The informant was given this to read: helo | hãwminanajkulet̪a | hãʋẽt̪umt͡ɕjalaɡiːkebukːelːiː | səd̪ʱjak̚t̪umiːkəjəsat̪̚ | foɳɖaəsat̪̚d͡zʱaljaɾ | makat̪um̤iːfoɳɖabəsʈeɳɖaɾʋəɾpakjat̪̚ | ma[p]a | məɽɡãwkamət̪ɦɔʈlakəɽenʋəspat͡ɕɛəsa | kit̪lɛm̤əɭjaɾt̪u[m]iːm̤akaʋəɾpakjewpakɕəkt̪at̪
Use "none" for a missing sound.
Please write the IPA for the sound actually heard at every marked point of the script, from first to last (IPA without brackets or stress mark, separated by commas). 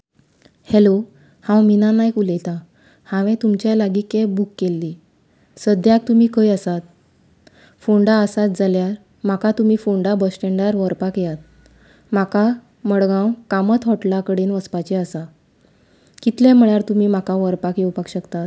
k, m